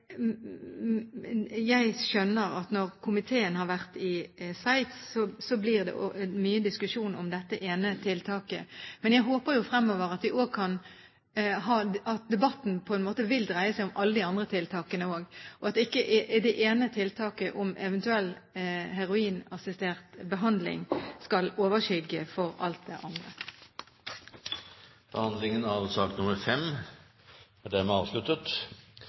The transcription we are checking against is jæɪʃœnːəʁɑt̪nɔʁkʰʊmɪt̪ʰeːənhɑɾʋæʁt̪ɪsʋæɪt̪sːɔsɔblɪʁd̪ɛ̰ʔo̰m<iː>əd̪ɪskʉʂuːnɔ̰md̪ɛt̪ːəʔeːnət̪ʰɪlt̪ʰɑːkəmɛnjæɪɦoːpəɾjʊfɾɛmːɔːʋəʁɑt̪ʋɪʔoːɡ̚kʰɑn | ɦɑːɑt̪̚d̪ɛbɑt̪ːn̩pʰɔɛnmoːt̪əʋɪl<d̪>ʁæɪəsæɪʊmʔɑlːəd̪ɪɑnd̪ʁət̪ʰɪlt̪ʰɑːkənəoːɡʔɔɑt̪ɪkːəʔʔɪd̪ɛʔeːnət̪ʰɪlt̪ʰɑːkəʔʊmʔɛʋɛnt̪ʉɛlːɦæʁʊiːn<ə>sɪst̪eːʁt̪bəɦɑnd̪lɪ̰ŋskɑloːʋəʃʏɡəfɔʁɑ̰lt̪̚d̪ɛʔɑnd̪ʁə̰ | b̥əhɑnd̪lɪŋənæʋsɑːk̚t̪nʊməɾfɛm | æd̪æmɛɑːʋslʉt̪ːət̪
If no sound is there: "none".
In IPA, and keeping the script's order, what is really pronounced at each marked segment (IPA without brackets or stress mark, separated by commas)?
yː, d̪, ɑ